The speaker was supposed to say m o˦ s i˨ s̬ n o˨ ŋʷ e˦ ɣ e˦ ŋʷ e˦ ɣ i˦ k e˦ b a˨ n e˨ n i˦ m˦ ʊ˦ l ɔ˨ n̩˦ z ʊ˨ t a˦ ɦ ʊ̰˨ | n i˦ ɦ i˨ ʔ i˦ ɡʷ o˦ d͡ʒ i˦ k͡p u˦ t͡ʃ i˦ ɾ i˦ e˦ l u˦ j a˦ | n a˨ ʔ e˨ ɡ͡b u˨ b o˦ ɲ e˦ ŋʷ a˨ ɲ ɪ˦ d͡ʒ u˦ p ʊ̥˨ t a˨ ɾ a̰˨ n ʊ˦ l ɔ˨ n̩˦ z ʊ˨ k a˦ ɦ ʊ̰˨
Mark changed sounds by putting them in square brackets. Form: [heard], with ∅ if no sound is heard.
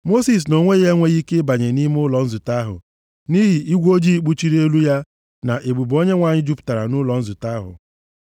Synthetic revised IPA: m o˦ s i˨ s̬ n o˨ ŋʷ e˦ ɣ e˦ ŋʷ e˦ ɣ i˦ k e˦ b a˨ [ɲ] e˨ n i˦ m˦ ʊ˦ l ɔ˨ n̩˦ z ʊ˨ t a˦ ɦ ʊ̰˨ | n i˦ ɦ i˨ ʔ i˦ ɡʷ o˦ d͡ʒ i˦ k͡p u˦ t͡ʃ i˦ ɾ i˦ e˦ l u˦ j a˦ | n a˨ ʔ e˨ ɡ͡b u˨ b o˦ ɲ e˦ ŋʷ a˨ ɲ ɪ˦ d͡ʒ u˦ p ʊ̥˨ t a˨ ɾ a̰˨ n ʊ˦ l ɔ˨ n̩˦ z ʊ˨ [t] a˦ ɦ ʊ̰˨